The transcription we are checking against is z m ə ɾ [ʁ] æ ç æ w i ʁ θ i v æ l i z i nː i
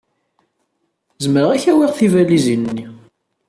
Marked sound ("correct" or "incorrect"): correct